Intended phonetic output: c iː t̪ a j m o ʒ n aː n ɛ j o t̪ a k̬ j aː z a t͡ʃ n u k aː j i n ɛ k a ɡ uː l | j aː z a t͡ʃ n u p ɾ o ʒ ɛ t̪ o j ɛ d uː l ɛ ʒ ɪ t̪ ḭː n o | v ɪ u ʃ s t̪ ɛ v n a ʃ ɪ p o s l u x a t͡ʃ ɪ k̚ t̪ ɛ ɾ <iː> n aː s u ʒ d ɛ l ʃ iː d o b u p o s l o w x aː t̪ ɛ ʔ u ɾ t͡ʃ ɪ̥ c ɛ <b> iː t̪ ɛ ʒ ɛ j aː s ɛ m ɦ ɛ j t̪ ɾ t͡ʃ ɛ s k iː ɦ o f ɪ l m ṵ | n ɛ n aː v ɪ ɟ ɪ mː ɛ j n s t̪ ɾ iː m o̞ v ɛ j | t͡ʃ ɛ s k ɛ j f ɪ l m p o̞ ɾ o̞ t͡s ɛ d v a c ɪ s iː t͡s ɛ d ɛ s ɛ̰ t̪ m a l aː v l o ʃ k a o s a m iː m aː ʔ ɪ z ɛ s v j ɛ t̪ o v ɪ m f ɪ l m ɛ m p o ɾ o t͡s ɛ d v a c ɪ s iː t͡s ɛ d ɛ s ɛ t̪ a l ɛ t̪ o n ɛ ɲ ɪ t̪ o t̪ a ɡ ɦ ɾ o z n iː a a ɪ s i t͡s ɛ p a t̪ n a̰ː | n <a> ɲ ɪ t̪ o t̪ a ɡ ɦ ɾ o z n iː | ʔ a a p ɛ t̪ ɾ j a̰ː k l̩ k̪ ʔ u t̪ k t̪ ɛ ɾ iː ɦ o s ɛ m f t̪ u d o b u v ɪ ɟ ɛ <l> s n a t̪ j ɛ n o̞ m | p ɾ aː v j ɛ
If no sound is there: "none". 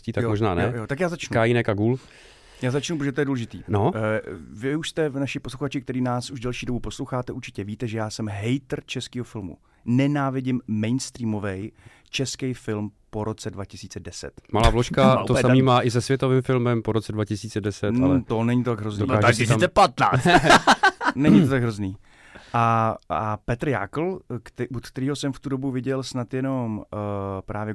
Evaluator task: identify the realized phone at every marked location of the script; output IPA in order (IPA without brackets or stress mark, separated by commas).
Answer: iː, v, ɛ, l